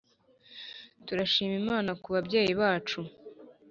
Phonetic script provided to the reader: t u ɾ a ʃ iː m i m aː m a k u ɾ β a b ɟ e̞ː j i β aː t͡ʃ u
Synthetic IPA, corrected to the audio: t u ɾ a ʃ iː m i m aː n a k u β a b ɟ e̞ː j i β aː t͡ʃ u